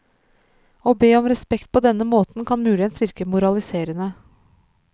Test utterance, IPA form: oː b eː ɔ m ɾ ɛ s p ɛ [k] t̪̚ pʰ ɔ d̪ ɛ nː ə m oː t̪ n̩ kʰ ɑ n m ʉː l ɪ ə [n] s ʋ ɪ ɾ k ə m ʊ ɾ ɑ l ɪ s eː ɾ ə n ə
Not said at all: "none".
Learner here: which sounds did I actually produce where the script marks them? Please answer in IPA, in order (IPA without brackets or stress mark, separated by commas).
k, n